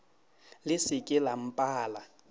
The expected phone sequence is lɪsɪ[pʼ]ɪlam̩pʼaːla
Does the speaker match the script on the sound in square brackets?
no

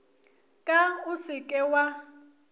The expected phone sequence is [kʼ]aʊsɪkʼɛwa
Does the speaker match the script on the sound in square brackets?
yes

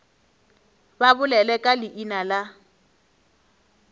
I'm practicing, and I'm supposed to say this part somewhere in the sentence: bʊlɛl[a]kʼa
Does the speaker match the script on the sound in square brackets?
no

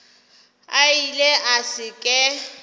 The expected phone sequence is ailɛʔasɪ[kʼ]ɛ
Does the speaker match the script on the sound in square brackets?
yes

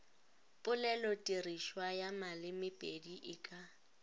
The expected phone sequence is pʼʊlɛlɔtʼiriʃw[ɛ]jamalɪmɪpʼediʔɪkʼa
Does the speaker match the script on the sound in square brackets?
no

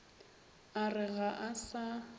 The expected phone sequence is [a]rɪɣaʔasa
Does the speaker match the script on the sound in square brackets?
yes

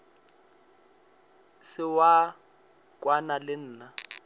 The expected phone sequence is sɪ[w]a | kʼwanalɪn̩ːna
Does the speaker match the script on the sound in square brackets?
yes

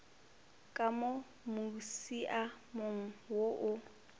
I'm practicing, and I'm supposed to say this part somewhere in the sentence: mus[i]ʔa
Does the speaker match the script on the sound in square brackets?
yes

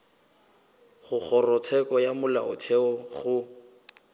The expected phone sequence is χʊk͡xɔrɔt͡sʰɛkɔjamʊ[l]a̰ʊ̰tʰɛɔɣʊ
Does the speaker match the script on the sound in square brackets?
yes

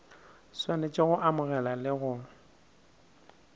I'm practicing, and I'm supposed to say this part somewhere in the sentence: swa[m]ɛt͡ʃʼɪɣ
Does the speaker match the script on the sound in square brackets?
no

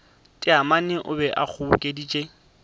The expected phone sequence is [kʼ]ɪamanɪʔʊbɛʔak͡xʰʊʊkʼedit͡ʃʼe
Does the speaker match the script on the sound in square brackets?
no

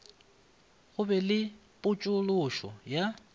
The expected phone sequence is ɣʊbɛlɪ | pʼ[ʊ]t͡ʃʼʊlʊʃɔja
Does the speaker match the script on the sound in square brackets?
yes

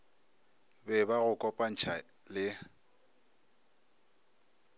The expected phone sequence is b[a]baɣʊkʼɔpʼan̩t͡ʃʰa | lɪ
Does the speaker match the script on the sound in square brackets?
no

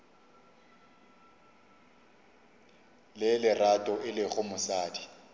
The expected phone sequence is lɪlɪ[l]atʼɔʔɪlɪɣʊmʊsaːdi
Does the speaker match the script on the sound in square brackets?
no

